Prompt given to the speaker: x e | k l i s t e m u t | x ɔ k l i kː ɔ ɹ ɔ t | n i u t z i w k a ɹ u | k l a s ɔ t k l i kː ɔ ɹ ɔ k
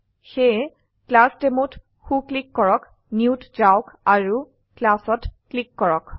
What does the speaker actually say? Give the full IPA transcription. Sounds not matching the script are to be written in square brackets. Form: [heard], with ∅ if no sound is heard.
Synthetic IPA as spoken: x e | k l [a] s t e m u t | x [u] k l i kː ɔ ɹ ɔ [k] | n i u t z [a] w k a ɹ u | k l a s ɔ t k l i kː ɔ ɹ ɔ k